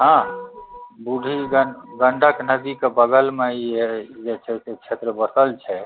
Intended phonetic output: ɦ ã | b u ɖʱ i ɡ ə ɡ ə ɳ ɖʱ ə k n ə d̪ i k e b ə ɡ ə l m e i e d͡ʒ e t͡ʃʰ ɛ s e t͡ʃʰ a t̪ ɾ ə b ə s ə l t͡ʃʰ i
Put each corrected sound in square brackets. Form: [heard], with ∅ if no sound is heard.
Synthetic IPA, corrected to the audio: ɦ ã | b u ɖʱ i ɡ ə ɡ ə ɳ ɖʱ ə k n ə d̪ i k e b ə ɡ ə l m e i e d͡ʒ e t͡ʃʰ ɛ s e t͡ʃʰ [e] t̪ ɾ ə b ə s ə l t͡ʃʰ [ɛ]